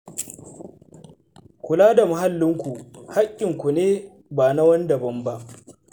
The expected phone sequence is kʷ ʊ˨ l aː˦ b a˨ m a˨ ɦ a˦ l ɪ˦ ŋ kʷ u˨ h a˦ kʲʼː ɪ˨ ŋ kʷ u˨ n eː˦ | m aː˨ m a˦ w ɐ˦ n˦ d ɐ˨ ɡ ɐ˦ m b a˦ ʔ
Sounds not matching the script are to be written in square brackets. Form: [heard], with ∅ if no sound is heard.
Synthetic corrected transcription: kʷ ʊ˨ l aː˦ [d] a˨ m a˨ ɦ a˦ [lː] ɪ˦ ŋ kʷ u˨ h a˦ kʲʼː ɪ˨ ŋ kʷ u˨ n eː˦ | [b] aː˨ [n] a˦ w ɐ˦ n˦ d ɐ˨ [b] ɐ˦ m b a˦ ʔ